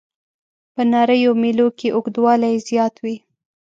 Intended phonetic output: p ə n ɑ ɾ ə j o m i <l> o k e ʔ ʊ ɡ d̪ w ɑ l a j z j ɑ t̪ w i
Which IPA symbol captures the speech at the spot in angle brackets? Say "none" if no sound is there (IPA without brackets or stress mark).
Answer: l